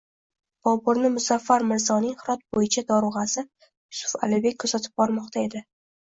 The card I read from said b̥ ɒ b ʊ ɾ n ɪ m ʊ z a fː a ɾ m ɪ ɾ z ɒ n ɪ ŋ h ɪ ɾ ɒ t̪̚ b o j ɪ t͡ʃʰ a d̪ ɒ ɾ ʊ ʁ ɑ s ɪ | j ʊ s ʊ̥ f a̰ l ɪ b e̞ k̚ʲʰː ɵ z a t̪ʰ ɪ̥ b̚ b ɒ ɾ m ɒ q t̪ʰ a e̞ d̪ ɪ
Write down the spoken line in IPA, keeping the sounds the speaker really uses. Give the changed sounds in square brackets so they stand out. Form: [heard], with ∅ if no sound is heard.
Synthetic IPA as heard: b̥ ɒ b ʊ ɾ n ɪ m ʊ z a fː a ɾ m ɪ ɾ z ɒ n ɪ ŋ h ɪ ɾ ɒ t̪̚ b o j ɪ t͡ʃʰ a d̪ ɒ ɾ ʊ ʁ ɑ s ɪ | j ʊ s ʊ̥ f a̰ l ɪ b e̞ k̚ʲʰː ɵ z a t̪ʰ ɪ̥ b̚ b ɒ ɾ m ɒ q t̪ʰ a e̞ d̪ ɪ